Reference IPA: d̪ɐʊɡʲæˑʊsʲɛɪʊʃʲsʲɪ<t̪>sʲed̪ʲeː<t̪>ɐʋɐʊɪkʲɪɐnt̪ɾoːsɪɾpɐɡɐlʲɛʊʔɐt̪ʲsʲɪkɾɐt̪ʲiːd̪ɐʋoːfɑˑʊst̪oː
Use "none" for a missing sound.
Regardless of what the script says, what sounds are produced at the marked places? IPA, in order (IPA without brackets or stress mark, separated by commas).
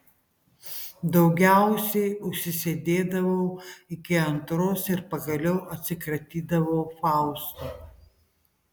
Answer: none, d̪